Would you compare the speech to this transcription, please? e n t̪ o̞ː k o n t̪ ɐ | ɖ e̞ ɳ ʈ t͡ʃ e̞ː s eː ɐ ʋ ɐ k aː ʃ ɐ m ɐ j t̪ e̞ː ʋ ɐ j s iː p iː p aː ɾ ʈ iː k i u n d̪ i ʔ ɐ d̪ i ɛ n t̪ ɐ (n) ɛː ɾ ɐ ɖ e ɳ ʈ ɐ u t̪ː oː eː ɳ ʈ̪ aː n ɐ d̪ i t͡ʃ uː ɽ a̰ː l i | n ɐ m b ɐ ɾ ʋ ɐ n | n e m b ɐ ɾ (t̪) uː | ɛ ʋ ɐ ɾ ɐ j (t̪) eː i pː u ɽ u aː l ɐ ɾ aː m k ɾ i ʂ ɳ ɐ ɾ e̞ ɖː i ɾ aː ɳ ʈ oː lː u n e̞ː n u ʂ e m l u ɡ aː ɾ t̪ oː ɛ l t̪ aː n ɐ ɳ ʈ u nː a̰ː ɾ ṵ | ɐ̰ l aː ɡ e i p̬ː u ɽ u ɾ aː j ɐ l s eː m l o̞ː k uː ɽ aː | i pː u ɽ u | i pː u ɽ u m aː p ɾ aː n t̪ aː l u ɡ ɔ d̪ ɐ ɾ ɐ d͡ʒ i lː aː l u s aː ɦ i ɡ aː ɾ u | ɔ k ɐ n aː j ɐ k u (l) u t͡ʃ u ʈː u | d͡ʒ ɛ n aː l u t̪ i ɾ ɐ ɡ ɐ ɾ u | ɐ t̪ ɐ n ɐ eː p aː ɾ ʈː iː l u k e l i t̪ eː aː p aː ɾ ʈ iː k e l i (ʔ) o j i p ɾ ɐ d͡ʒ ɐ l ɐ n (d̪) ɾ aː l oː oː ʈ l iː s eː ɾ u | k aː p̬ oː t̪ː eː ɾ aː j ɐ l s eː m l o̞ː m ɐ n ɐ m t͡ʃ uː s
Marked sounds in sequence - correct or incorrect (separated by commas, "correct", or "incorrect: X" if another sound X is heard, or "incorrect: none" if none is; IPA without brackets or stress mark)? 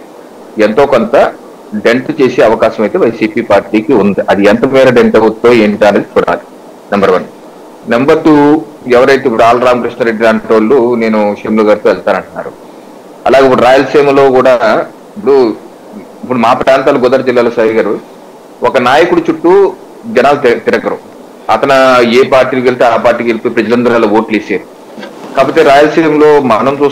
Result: incorrect: m, correct, correct, incorrect: ɽ, incorrect: p, correct